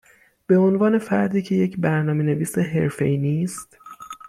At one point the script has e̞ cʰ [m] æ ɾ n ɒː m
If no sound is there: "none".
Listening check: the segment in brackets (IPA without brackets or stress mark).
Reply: b